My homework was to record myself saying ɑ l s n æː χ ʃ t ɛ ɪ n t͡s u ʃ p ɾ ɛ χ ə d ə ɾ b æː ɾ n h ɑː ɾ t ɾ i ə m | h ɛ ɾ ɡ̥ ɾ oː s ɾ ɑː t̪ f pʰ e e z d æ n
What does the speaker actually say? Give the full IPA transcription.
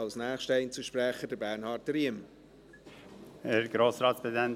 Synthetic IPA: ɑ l s n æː χ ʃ t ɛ ɪ n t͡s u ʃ p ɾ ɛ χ ə d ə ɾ b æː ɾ n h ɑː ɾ t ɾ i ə m | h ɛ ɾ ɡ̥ ɾ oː s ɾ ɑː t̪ s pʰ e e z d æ n

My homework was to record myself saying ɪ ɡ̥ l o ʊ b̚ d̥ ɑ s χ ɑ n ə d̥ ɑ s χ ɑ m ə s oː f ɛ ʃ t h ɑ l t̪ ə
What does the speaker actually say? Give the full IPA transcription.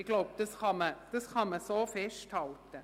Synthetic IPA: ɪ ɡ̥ l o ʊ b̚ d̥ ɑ s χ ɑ m ə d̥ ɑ s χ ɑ m ə s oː f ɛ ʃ t h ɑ l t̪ ə

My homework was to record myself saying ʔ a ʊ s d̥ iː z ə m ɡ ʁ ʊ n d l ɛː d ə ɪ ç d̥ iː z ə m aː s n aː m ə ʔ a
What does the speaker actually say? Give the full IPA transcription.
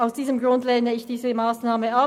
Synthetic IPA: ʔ a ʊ s d̥ iː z ə m ɡ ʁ ʊ n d l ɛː n ə ɪ ç d̥ iː z ə m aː s n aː m ə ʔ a

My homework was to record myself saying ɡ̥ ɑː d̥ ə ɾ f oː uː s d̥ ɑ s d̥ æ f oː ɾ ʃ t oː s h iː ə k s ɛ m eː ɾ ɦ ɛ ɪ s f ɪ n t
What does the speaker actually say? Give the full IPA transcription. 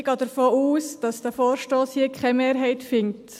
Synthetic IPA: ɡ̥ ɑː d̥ ə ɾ f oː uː s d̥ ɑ s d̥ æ f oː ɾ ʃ t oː s h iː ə k χ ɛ m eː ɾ ɦ ɛ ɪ t f ɪ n t

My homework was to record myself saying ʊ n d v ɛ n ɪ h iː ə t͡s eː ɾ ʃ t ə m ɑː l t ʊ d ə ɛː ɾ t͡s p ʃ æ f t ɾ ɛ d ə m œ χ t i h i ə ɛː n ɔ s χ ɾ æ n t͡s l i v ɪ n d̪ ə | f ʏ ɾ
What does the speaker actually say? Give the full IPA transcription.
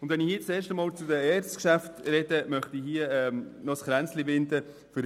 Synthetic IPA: ʊ n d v ɛ n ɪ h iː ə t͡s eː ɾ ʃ t ə m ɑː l t͡s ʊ d ə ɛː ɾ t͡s k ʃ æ f t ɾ ɛ d ə m œ χ t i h i ə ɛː n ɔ s χ ɾ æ n t͡s l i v ɪ n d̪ ə | f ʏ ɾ

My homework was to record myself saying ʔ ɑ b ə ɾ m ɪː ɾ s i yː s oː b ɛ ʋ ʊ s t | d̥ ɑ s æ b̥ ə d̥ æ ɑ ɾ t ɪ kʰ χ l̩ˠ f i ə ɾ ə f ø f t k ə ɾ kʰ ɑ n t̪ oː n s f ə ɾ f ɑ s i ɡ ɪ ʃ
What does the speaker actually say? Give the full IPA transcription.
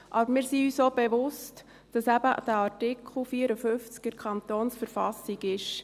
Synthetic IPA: ʔ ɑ b ə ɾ m ɪː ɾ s i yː s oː b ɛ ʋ ʊ s t | d̥ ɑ s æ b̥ ə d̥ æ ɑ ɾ t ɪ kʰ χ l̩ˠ f i ə ɾ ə f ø f t͡s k ə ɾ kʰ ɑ n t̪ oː n s f ə ɾ f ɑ s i ɡ ɪ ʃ

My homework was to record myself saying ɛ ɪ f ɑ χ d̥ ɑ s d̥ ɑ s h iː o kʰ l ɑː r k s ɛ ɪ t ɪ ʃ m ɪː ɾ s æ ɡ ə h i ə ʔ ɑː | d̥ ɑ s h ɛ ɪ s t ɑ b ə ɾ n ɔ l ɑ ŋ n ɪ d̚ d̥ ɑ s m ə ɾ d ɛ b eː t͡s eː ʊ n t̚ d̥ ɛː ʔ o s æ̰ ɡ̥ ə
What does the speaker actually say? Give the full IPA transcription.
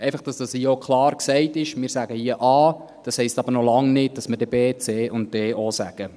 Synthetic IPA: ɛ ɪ f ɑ χ d̥ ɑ s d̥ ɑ s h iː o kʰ l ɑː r k s ɛ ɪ t ɪ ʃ m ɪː ɾ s æ ɡ ə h i ə ʔ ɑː | d̥ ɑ s h ɛ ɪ s t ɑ b ə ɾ n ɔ l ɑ ŋ n ɪ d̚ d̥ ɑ s m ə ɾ d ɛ b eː t͡s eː ʊ n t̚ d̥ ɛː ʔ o s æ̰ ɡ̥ ə

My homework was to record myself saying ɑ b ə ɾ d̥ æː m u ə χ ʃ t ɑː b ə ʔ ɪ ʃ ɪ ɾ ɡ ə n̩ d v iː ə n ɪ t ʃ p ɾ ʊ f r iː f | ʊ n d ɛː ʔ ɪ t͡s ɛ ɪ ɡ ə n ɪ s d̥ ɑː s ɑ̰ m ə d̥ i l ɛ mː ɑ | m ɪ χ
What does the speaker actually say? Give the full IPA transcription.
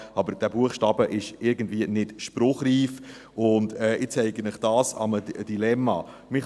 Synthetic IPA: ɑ b ə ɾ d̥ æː b u ə χ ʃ t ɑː b ə ʔ ɪ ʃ ɪ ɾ ɡ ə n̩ d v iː ə n ɪ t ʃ p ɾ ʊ χ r iː f | ʊ n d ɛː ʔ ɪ t͡s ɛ ɪ ɡ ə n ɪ χ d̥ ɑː s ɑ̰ m ə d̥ i l ɛ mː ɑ | m ɪ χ

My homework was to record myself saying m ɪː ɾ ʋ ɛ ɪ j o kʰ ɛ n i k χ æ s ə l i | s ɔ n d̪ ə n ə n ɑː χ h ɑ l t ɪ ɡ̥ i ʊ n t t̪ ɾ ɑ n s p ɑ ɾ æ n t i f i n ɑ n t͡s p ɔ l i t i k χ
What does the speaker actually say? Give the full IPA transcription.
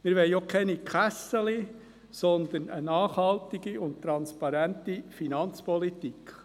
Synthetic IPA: m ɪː ɾ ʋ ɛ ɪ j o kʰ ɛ n i k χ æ s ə l i | s ɔ n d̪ ə n ə n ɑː χ h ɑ l t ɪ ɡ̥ i ʊ n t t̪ ɾ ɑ n s p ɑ ɾ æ n t i f i n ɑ n t͡s p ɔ l i t i k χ

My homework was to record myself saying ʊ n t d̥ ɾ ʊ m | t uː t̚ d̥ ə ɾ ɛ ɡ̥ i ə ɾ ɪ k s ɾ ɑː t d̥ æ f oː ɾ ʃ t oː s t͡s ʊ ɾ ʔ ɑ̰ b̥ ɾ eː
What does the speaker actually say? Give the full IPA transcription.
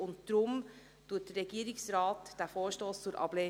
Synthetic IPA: ʊ n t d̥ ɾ ʊ m | t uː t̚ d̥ ə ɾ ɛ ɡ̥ i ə ɾ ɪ k s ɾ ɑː t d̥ æ f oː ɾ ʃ t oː s t͡s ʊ ɾ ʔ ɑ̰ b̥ l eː

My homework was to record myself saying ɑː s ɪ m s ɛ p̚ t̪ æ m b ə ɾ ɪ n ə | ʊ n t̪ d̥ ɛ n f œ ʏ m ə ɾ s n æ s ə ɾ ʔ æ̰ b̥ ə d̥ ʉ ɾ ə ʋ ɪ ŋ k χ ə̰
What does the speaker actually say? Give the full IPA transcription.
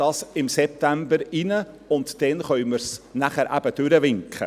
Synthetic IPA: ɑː s ɪ m s ɛ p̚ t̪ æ m b ə ɾ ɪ n ə | ʊ n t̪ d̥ ɛ n χ œ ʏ m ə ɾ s n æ χ ə ɾ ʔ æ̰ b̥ ə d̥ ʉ ɾ ə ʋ ɪ ŋ k χ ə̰

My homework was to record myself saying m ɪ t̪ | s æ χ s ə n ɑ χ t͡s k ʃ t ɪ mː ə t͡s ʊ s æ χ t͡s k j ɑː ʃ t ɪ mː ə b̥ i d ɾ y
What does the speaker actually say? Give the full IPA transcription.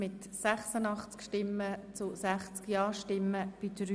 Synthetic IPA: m ɪ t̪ | s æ χ s ə n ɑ χ t͡s k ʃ t ɪ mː ə t͡s ʊ s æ χ t͡s k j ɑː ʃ t ɪ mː ə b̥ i d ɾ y

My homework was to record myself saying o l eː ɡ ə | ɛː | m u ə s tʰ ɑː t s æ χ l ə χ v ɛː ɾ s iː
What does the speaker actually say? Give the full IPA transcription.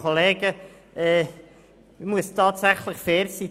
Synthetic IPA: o l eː ɡ ə | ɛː | m u ə s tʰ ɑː t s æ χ l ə χ f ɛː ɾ s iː

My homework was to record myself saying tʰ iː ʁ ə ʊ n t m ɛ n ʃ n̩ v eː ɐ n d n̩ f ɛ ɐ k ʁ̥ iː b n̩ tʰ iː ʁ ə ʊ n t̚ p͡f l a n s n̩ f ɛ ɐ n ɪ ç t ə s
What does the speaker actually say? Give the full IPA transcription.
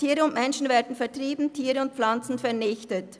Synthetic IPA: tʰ iː ʁ ə ʊ n t m ɛ n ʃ n̩ v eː ɐ d n̩ f ɛ ɐ t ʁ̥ iː b n̩ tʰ iː ʁ ə ʊ n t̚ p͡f l a n t͡s n̩ f ɛ ɐ n ɪ ç t ə t

